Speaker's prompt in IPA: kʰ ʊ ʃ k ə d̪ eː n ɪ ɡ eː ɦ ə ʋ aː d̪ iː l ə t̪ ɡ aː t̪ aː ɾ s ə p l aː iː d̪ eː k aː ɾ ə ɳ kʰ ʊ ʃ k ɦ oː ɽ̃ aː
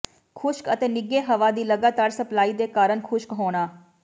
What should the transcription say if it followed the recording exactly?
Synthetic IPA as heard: kʰ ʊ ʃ k ə t̪ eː n ɪ ɡ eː ɦ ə ʋ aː d̪ iː l ə ɡ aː t̪ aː ɾ s ə p l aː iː d̪ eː k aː ɾ ə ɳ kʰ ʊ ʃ k ɦ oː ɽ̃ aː